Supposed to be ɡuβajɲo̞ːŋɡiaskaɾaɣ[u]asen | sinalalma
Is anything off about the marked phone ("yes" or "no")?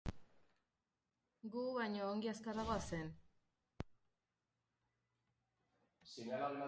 yes